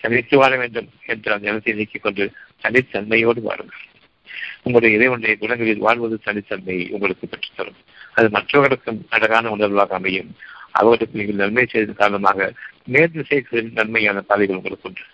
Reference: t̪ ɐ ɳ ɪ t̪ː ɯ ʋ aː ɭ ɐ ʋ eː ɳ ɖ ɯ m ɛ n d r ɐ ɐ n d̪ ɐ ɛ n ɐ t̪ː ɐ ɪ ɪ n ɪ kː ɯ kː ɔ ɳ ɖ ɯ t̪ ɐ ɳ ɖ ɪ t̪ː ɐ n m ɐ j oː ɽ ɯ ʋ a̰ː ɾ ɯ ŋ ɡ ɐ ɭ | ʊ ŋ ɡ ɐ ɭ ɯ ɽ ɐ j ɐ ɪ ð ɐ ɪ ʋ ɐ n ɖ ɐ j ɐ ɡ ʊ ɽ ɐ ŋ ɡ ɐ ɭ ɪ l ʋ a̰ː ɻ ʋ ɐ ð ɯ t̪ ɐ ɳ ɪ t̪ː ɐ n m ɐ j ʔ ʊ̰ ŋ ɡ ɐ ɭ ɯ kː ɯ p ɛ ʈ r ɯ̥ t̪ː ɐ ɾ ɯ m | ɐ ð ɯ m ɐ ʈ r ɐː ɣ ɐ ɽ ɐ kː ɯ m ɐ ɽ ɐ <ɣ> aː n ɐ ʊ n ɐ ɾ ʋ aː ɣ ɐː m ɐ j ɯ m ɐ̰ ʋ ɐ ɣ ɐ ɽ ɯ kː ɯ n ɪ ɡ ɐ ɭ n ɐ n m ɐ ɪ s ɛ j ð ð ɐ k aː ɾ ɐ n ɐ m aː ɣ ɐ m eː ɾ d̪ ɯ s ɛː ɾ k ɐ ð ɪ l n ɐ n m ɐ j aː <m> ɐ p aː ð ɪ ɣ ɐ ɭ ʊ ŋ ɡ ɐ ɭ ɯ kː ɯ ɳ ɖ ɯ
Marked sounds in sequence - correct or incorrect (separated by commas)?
correct, incorrect